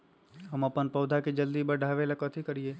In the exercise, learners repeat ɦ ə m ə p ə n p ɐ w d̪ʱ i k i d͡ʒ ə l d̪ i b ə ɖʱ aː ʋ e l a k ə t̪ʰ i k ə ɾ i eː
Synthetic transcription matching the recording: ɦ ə m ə p ə n p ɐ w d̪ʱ a k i d͡ʒ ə l d̪ i b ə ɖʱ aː ʋ e l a k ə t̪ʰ i k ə ɾ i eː